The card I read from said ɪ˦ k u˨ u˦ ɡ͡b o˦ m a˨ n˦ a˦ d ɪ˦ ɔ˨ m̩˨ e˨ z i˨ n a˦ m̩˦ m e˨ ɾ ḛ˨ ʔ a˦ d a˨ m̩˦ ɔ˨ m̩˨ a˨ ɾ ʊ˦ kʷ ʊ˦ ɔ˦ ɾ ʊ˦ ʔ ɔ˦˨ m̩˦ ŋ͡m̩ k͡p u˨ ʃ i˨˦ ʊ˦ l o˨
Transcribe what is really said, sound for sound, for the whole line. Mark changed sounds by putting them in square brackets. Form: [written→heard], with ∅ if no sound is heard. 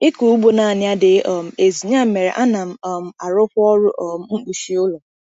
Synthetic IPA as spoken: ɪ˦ k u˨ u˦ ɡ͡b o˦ [m→n] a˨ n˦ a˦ d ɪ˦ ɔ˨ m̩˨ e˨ z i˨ [n→ɲ] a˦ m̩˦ m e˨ ɾ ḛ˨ ʔ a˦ [d→n] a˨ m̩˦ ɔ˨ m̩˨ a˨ ɾ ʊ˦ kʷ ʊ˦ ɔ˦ ɾ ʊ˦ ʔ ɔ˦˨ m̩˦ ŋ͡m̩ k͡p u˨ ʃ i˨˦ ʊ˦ l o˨